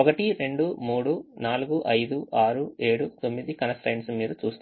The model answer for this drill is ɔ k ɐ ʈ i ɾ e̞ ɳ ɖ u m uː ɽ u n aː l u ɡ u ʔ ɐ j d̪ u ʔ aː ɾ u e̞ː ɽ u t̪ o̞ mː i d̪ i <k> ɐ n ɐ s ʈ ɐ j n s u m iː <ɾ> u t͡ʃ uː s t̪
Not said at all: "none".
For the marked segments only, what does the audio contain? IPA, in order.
k, ɾ

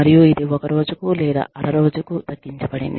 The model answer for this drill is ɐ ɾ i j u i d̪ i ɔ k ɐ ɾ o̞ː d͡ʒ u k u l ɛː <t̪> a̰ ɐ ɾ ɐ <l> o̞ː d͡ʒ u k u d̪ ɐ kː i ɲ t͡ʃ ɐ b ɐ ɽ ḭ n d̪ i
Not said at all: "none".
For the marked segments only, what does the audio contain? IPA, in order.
d̪, ɾ

